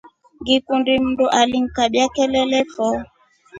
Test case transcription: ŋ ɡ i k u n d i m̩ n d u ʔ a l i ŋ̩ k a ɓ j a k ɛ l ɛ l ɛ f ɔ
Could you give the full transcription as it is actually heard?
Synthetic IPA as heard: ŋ ɡ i k u n d i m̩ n d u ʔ a l i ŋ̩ k a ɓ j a k ɛ l ɛ l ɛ f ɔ